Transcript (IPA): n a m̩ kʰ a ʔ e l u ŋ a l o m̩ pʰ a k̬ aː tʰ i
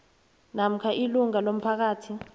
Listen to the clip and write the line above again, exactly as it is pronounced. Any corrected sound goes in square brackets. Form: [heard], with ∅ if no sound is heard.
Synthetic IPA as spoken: n a m̩ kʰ a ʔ [i] l u ŋ a l o m̩ pʰ a k̬ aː tʰ i